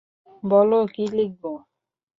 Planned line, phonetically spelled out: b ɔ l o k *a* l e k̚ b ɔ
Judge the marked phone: incorrect: i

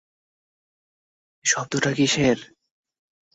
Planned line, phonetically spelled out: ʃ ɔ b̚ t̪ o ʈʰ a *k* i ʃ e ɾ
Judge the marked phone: correct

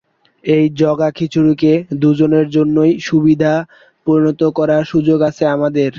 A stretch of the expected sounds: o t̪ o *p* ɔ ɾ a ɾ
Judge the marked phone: incorrect: k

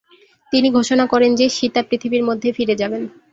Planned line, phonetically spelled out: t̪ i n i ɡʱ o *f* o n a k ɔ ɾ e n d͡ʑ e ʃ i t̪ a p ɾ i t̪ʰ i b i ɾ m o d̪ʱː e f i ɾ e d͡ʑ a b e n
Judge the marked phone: incorrect: ʃ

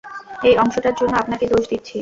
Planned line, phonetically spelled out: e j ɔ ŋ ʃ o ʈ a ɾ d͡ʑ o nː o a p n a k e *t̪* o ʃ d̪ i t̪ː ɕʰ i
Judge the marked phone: incorrect: d̪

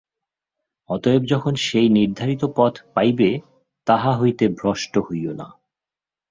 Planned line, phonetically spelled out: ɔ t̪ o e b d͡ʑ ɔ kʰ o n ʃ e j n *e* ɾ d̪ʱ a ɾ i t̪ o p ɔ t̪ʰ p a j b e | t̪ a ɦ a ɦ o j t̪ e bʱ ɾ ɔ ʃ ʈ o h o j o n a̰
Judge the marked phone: incorrect: i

